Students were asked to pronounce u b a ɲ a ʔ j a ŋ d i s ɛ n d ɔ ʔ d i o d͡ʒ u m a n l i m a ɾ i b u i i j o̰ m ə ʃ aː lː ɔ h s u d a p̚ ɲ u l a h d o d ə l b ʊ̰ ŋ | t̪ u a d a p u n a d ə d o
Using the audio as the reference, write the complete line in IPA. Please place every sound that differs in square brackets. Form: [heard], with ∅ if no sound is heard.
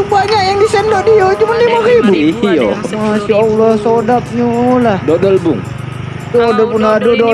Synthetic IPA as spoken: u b a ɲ a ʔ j a ŋ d i s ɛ n d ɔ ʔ d i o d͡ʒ u m a n l i m a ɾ i b u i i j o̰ m [a] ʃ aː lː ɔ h s [o] d a p̚ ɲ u l a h d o d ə l b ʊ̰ ŋ | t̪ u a d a p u n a d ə d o